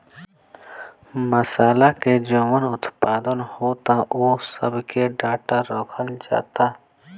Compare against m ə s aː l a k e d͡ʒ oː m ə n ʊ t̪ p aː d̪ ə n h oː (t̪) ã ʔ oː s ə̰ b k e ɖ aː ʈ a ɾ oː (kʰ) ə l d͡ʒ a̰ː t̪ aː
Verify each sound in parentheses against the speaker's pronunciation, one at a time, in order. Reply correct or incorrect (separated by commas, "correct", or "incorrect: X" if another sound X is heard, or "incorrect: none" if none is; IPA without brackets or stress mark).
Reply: correct, correct